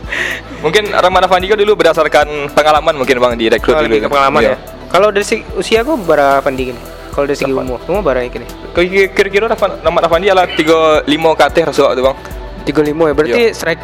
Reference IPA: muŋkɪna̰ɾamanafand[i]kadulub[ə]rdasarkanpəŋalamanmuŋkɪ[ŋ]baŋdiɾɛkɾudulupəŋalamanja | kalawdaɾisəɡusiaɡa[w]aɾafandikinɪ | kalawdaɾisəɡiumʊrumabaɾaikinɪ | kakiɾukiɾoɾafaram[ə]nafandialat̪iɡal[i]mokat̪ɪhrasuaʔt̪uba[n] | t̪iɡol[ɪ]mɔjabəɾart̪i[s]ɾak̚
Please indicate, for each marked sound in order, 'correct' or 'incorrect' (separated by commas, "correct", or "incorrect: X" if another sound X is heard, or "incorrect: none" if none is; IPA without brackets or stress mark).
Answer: correct, correct, incorrect: n, incorrect: b, incorrect: a, correct, incorrect: ŋ, incorrect: i, correct